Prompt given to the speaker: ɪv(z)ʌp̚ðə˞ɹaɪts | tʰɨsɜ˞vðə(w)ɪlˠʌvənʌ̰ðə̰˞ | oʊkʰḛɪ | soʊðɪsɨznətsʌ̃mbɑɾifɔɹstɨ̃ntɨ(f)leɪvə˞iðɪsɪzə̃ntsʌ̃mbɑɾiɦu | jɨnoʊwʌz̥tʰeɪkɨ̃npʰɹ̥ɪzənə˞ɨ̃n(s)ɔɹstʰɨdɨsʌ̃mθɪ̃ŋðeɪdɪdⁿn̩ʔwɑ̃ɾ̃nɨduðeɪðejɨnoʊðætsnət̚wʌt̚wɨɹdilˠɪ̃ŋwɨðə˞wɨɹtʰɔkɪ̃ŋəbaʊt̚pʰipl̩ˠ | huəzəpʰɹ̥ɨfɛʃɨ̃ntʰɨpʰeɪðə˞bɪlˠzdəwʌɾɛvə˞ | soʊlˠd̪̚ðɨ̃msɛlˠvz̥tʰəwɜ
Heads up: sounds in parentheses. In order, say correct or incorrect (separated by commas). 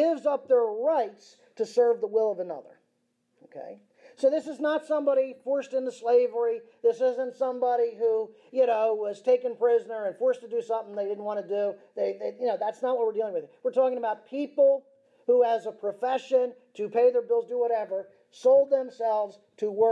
correct, correct, incorrect, incorrect